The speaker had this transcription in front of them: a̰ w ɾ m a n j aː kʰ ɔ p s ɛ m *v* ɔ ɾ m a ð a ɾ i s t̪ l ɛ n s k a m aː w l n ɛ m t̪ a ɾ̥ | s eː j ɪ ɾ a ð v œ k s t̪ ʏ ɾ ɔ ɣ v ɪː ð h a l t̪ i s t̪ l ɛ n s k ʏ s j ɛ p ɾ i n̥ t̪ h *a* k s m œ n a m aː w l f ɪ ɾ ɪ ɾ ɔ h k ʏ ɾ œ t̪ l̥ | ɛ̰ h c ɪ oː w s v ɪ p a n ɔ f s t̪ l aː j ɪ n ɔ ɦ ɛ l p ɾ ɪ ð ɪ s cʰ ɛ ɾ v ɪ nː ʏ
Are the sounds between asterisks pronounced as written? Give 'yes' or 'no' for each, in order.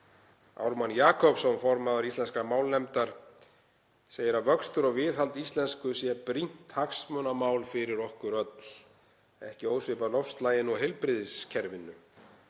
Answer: no, yes

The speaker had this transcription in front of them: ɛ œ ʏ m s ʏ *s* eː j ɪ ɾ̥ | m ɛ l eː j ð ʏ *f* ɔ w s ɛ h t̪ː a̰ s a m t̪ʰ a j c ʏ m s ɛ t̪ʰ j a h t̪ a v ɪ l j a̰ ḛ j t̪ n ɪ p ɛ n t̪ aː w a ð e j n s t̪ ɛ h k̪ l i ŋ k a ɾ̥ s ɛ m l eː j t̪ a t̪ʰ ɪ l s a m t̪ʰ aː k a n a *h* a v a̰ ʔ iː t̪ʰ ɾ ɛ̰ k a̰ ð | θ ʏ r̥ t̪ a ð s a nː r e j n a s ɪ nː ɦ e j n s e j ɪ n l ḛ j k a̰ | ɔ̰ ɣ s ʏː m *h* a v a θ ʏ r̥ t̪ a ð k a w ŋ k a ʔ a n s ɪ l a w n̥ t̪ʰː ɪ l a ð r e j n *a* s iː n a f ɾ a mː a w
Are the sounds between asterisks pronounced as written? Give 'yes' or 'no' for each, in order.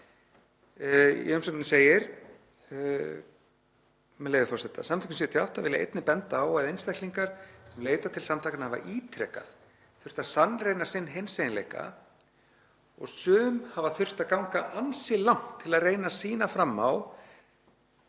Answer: yes, yes, yes, yes, yes

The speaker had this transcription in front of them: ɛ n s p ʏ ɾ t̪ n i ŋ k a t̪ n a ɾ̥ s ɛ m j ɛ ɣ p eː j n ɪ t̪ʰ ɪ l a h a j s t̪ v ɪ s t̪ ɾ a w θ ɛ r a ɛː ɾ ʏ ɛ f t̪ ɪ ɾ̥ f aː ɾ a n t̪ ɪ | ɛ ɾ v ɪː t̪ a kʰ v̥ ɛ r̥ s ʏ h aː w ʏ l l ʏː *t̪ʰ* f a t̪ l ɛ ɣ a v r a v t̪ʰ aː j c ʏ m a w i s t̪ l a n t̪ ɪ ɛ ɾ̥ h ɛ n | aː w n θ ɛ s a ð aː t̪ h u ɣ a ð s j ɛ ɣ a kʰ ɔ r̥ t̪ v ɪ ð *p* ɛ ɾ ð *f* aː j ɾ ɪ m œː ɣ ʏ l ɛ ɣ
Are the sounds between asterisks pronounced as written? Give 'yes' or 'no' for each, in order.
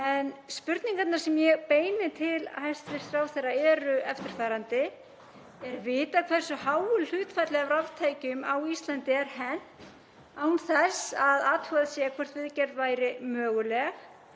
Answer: no, no, no

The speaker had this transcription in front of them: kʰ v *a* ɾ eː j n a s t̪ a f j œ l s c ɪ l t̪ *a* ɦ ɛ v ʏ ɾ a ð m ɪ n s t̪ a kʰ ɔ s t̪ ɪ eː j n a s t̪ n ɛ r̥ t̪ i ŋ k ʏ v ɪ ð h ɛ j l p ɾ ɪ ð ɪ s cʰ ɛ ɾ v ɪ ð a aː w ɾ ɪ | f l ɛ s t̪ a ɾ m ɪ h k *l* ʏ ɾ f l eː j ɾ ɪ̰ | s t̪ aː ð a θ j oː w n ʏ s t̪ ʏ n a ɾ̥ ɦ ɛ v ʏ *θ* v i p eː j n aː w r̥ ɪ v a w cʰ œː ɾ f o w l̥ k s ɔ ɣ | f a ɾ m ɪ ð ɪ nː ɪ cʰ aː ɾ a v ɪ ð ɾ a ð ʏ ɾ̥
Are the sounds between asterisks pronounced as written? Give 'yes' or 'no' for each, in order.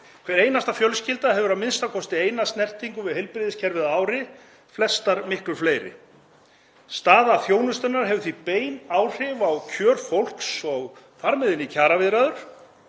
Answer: no, yes, yes, yes

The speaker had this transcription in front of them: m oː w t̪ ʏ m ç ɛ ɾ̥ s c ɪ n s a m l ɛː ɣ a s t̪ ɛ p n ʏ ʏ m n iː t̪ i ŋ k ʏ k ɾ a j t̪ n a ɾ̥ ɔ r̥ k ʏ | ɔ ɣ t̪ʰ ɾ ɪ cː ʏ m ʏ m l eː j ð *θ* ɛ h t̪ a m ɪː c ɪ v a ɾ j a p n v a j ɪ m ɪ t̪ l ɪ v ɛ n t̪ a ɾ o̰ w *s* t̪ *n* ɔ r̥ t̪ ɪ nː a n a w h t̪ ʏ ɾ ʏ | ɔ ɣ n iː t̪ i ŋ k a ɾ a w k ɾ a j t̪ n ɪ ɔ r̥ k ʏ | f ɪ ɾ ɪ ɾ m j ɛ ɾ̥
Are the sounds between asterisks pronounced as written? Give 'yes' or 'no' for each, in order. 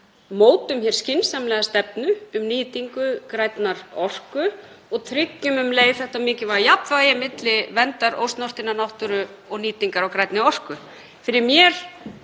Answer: yes, yes, yes

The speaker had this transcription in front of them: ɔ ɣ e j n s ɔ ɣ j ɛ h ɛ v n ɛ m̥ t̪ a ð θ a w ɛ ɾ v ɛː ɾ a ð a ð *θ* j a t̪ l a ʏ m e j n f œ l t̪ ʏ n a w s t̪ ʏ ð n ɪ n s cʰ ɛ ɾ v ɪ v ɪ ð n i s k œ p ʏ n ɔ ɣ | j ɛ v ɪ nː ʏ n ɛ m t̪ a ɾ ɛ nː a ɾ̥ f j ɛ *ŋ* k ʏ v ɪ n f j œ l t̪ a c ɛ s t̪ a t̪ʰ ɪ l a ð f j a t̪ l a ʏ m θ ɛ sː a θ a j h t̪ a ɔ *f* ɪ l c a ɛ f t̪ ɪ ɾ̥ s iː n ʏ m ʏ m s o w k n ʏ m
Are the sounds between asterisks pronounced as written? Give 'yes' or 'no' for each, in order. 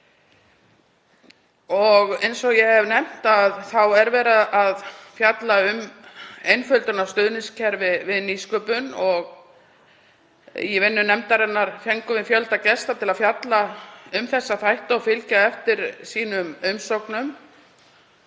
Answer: no, yes, yes

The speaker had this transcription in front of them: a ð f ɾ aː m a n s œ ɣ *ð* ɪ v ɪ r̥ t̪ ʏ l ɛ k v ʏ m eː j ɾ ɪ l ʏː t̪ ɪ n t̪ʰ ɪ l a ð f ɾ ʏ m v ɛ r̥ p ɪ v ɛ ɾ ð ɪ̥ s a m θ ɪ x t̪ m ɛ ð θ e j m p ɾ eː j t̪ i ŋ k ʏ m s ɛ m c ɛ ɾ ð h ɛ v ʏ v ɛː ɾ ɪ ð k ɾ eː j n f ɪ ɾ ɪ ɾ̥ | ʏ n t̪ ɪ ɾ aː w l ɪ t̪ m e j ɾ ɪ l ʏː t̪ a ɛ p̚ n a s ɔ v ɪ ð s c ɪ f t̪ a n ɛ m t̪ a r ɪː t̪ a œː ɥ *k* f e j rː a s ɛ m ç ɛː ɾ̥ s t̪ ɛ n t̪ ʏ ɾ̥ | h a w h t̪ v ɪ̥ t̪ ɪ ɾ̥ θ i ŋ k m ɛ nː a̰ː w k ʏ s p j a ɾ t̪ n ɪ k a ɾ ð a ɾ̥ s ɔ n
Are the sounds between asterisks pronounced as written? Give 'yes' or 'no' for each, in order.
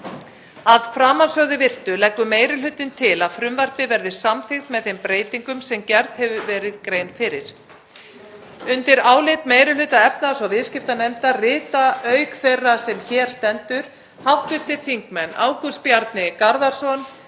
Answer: yes, yes

